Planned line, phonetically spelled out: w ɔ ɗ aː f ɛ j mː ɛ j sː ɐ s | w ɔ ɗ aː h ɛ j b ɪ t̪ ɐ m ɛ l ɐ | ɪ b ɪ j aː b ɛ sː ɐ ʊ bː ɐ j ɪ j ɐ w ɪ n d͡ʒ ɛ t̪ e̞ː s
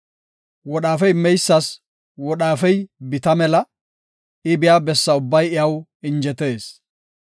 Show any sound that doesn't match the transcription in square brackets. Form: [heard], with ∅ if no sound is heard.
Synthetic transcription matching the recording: w ɔ ɗ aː f ɛ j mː ɛ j sː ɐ s | w ɔ ɗ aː [f] ɛ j b ɪ t̪ ɐ m ɛ l ɐ | ɪ b ɪ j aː b ɛ sː ɐ ʊ bː ɐ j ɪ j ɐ w ɪ n d͡ʒ ɛ t̪ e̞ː s